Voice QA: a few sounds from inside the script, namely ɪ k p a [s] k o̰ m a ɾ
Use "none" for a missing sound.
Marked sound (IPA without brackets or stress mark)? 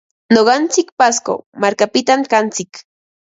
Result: s